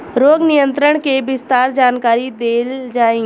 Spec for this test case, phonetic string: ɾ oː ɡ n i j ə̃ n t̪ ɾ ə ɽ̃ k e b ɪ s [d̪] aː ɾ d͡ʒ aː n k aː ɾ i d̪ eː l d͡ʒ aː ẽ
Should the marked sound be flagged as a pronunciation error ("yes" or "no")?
yes